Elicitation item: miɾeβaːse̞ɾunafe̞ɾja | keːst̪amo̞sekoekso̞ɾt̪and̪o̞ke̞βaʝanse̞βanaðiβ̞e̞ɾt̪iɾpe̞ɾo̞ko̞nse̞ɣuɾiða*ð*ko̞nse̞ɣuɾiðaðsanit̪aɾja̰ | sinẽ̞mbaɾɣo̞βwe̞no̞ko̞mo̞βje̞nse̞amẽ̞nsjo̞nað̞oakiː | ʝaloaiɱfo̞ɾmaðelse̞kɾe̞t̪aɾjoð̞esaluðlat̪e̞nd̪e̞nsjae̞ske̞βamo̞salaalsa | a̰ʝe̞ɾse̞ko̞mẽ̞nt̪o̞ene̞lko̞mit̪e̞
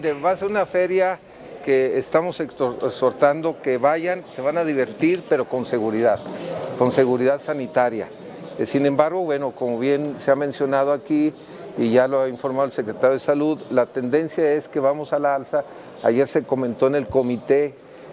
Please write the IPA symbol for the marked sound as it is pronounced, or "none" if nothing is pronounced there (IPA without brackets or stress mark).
ð